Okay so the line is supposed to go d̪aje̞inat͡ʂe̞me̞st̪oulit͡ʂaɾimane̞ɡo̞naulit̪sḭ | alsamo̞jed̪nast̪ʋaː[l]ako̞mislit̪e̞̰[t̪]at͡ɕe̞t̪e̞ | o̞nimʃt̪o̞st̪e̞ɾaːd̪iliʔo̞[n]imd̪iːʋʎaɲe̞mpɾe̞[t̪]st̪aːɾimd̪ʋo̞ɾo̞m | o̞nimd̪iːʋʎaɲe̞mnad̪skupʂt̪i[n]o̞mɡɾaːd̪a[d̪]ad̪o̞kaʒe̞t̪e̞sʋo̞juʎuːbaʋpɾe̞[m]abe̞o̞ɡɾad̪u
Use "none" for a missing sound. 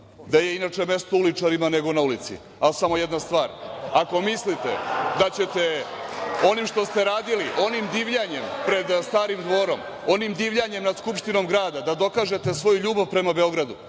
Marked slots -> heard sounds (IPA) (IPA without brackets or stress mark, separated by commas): ɾ, d̪, n, d̪, n, d̪, m